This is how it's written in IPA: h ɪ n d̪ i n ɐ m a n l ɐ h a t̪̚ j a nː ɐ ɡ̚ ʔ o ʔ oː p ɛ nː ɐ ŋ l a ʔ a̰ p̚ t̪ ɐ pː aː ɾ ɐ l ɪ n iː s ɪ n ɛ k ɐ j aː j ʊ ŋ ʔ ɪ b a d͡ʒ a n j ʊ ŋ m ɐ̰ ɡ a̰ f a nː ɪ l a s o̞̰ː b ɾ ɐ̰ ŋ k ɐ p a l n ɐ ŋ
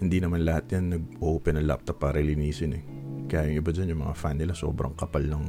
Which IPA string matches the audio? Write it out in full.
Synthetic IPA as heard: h ɪ n d̪ i n ɐ m a n l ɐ h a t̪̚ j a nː ɐ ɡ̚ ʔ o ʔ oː p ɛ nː ɐ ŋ l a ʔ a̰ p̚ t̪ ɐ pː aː ɾ ɐ l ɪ n iː s ɪ n ɛ k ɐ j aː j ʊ ŋ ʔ ɪ b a d͡ʒ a n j ʊ ŋ m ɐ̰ ŋ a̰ f a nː ɪ l a s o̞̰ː b ɾ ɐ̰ ŋ k ɐ p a l n ɐ ŋ